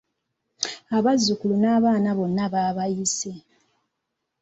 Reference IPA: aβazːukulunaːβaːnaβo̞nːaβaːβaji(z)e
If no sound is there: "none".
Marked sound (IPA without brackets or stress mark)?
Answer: s